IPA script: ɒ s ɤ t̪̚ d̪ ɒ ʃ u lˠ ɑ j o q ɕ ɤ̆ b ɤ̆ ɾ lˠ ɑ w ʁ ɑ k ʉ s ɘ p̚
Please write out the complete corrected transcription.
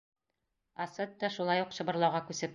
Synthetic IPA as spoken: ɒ s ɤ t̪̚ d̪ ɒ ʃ u lˠ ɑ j u q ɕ ɤ̆ b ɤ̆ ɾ lˠ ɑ w ʁ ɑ k ʉ s ɘ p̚